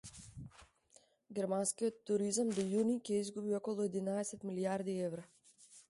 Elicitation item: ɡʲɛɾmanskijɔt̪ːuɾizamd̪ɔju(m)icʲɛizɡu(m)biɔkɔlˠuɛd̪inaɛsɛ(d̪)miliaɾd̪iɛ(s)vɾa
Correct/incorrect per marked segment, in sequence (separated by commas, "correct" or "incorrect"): incorrect, incorrect, incorrect, incorrect